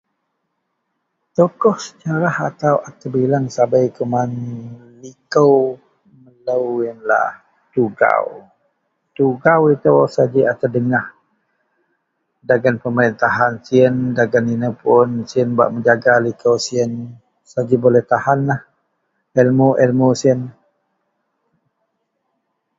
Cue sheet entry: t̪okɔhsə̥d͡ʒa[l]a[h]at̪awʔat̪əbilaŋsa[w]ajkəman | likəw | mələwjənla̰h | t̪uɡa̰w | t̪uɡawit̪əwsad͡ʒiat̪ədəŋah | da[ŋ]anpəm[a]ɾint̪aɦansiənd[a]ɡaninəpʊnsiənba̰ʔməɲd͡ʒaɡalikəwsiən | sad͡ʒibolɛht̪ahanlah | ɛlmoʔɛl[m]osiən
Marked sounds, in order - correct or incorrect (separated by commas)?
incorrect, correct, incorrect, incorrect, incorrect, correct, correct